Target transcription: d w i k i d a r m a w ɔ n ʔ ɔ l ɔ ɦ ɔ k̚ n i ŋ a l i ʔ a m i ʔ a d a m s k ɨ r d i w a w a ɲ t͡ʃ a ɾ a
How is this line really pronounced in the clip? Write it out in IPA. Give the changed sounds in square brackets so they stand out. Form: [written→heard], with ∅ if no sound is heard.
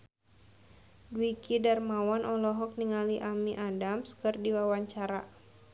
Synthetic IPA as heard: d w i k i d a r m a w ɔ n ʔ ɔ l ɔ ɦ ɔ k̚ n i ŋ a l i ʔ a m i ʔ a d a m s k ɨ r d i w a w a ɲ t͡ʃ a ɾ a